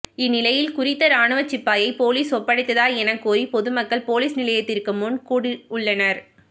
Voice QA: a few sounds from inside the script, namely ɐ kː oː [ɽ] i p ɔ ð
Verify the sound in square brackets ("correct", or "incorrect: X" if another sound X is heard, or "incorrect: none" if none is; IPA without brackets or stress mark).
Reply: incorrect: ɾ